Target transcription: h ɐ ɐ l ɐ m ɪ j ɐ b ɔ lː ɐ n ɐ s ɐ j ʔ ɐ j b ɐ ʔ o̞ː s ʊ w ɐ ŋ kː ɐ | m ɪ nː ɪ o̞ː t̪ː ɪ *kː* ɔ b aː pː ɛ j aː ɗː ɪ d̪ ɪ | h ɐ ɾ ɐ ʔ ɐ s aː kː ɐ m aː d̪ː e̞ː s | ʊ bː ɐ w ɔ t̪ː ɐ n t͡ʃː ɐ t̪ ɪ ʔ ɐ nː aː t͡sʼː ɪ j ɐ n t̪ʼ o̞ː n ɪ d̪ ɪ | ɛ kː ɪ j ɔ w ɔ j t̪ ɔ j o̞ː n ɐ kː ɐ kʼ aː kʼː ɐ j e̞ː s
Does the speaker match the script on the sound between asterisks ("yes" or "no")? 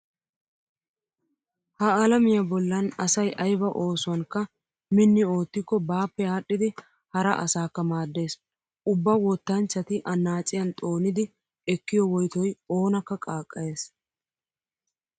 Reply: yes